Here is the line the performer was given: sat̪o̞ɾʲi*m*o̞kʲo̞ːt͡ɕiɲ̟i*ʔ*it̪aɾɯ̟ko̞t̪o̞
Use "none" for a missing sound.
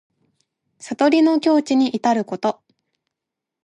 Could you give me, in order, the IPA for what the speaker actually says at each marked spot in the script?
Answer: n, ʔ

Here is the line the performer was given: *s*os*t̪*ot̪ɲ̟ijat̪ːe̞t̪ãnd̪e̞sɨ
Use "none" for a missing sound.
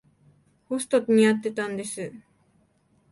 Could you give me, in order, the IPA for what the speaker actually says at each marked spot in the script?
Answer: h, t̪

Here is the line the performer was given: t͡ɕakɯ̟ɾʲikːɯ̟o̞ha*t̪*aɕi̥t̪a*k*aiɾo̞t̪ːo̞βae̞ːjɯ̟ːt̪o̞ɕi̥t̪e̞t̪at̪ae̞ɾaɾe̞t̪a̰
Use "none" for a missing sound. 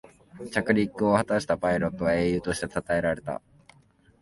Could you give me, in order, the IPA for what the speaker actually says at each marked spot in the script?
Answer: t̪, p

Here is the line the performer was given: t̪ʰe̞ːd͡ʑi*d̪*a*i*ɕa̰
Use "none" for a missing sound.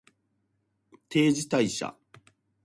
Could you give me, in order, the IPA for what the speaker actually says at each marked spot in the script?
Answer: t̪, i

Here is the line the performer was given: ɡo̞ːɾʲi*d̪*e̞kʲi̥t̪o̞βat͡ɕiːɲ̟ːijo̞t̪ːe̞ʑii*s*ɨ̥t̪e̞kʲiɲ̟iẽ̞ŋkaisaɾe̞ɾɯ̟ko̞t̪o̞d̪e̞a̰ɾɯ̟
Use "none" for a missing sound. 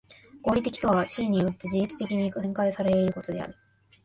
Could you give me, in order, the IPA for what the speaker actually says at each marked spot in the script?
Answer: t̪, t͡s

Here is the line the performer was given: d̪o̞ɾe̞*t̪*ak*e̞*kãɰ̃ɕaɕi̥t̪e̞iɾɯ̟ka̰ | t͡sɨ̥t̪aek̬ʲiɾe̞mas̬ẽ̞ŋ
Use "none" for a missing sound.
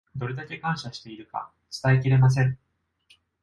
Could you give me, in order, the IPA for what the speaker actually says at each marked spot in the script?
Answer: d̪, e̞

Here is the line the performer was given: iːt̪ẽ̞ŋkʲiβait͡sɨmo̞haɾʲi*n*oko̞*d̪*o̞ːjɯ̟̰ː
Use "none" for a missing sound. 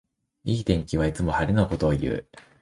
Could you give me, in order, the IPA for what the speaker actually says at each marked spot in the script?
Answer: n, t̪

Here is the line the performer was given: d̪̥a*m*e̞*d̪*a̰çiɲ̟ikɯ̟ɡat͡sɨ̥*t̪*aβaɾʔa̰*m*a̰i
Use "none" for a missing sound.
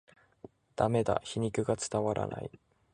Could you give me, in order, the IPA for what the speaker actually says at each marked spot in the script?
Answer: m, d̪, t̪, n

